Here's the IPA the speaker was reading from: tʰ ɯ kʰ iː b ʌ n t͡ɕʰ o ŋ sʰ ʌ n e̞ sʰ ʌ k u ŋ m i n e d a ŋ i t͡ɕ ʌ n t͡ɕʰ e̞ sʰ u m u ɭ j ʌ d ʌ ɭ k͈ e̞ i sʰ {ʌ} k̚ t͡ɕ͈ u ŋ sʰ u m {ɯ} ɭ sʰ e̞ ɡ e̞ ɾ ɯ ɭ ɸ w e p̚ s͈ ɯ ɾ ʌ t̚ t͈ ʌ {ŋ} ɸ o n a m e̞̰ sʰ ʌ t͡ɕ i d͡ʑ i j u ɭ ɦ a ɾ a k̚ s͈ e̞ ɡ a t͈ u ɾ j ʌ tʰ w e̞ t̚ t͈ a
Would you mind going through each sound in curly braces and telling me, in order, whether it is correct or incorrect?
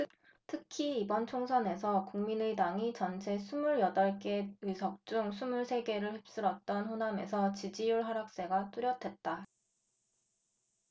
correct, incorrect: u, incorrect: n

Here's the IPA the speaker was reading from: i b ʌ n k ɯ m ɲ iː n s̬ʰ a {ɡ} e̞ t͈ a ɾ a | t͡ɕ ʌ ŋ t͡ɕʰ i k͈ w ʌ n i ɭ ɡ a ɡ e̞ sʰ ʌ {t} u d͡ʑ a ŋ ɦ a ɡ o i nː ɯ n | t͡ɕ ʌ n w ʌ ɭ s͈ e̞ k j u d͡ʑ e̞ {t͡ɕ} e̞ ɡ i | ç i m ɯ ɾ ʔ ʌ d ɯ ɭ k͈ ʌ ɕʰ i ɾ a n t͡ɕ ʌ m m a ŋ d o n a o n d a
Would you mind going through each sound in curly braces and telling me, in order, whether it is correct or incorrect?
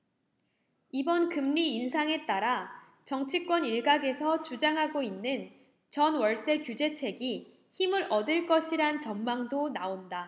incorrect: ŋ, incorrect: t͡ɕ, incorrect: t͡ɕʰ

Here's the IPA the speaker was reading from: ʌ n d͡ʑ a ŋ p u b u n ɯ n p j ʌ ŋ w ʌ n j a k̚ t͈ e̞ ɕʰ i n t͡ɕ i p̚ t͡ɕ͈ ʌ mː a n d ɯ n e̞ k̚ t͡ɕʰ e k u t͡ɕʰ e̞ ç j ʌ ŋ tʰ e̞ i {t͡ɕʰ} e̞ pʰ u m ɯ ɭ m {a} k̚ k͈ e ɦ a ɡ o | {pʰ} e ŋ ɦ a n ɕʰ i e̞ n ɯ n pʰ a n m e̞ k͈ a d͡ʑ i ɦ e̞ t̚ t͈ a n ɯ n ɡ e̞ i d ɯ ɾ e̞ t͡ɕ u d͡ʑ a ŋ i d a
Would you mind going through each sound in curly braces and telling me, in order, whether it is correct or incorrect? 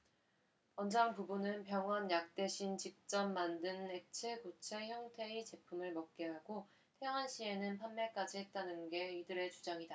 incorrect: t͡ɕ, incorrect: ʌ, incorrect: tʰ

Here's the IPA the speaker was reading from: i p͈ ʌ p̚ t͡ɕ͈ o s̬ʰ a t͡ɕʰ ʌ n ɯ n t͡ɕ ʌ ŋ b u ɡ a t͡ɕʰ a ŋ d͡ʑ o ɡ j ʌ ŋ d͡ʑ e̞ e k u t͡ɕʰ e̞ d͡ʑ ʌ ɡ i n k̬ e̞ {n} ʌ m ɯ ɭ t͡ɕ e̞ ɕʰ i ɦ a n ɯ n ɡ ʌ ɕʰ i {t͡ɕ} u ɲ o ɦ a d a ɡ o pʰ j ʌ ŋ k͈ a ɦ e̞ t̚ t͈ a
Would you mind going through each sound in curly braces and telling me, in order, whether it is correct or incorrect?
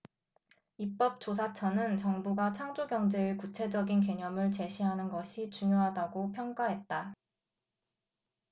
incorrect: ɲ, correct

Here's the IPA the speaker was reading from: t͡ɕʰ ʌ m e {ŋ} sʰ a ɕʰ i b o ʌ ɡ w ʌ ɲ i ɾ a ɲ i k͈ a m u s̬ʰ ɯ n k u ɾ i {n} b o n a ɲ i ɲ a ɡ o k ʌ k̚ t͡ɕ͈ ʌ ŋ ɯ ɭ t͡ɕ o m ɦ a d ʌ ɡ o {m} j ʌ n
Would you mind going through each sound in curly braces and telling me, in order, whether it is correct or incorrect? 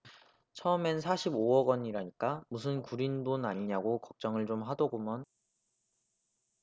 incorrect: n, correct, correct

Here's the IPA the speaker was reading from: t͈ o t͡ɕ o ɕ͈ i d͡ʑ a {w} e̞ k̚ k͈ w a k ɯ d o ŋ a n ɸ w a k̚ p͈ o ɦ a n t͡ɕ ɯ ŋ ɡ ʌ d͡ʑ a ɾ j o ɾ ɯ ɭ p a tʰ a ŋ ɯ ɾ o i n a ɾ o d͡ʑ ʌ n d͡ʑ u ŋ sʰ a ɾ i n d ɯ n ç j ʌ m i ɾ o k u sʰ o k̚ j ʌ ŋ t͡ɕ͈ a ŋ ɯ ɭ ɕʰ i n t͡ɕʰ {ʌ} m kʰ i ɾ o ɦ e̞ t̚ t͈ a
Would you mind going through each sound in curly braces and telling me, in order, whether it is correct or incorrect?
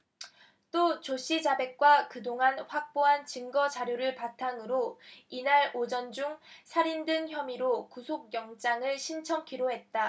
incorrect: b, correct

